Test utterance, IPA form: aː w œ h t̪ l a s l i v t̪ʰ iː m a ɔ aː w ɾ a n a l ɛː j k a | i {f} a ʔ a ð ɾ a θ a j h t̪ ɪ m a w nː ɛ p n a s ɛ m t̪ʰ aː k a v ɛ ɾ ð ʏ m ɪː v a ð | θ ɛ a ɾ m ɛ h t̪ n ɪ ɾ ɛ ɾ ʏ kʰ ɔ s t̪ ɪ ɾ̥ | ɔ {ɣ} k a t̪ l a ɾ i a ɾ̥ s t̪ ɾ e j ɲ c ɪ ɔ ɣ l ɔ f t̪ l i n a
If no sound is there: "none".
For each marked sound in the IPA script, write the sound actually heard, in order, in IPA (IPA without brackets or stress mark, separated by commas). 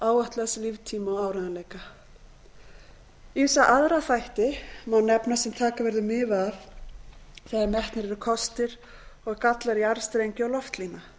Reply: s, ɣ